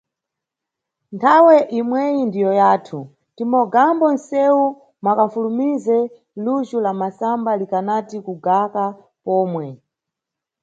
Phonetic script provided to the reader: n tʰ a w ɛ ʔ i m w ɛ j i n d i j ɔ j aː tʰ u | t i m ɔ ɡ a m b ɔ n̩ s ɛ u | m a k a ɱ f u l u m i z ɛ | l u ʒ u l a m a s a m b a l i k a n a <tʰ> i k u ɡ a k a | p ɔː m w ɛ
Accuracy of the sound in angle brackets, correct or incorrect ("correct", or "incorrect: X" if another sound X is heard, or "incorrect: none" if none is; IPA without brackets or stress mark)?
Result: incorrect: t